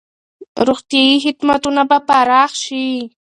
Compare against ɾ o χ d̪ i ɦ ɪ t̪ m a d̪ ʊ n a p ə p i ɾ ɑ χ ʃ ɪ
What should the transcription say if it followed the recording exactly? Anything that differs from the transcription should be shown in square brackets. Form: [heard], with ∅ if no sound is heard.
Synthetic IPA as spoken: ɾ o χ [t̪] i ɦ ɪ t̪ m a [t̪] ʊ n a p [a] p [a] ɾ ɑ χ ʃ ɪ